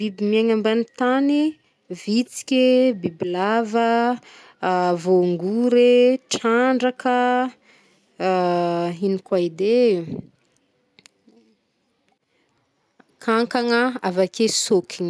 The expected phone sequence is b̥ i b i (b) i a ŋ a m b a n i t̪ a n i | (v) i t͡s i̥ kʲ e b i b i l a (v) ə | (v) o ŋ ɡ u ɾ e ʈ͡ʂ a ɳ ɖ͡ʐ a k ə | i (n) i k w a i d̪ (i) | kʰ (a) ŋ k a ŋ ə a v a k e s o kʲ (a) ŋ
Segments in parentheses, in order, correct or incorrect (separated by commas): incorrect, correct, correct, correct, correct, incorrect, correct, incorrect